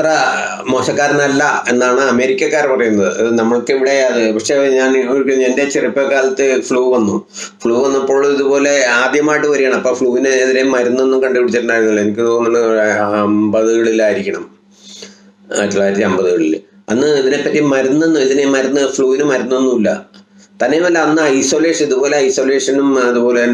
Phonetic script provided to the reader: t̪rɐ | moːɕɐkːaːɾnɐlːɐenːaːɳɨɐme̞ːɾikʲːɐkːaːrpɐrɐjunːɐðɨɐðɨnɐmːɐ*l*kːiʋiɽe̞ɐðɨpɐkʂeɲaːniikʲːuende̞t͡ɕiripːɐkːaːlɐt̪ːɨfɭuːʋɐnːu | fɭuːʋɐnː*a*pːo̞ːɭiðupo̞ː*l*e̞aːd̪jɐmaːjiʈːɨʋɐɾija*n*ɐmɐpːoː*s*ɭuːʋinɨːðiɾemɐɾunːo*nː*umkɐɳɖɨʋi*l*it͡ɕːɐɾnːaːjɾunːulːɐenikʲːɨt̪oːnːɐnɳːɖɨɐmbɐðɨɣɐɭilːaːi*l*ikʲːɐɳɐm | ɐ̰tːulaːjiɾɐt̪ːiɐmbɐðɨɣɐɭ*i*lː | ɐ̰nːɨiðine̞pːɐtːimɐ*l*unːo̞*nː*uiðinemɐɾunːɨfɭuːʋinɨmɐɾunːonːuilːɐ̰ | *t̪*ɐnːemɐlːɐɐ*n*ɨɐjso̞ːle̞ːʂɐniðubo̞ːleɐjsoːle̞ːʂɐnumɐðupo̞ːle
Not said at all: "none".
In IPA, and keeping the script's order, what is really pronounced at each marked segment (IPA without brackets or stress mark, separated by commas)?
ɭ, ɐ, l, ɳ, f, nː, ɽ, ɾ, i, ɾ, nː, t̪, nː